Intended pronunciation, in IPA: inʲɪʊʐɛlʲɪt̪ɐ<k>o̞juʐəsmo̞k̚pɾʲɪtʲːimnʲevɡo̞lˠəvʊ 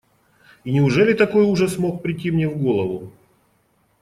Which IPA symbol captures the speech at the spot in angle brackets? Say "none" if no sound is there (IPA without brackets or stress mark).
k